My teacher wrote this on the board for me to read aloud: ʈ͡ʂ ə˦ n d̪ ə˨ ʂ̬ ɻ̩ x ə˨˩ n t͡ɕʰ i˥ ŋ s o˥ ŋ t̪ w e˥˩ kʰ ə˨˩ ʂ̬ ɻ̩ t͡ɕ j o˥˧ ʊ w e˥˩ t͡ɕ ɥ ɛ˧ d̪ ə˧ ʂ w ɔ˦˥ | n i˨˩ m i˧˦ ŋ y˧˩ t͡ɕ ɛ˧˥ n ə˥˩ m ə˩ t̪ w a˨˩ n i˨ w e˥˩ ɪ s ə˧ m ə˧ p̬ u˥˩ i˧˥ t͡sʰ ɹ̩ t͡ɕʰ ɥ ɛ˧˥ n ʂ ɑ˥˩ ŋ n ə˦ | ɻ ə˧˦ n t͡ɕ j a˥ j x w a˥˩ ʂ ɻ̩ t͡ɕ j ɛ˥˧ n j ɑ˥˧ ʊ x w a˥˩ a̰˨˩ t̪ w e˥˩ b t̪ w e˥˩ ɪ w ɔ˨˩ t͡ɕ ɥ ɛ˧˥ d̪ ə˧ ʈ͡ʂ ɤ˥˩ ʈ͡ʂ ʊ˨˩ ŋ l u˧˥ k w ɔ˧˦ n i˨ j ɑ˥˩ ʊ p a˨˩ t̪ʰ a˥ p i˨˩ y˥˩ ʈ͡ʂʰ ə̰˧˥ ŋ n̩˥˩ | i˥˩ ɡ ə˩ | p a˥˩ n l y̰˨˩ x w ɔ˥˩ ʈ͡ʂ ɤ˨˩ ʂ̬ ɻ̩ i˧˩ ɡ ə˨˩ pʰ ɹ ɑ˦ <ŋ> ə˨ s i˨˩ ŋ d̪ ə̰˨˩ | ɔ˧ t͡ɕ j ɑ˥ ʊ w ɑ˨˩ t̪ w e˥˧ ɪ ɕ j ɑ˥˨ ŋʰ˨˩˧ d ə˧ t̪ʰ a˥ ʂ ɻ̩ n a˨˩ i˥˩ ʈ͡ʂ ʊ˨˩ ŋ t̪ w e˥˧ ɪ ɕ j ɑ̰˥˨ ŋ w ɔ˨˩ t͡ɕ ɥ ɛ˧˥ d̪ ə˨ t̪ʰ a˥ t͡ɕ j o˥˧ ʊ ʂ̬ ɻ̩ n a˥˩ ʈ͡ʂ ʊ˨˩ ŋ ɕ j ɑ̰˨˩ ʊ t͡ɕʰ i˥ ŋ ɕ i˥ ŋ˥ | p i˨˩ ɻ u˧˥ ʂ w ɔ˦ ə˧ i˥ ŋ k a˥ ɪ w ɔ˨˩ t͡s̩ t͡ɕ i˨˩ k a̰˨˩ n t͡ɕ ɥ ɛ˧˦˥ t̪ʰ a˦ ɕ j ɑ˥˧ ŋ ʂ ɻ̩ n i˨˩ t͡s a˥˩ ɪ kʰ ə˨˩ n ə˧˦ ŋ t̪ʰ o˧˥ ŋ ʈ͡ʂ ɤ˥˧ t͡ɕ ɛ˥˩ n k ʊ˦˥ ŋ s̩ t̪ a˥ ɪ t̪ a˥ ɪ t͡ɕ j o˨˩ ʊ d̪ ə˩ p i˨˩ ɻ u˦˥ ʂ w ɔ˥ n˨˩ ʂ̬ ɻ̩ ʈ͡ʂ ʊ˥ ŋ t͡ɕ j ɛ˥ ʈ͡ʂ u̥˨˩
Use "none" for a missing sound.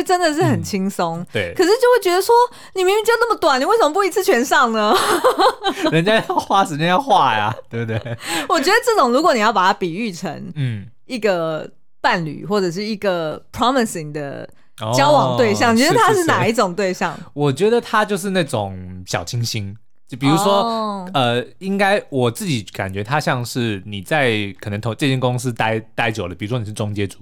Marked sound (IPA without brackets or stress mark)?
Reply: m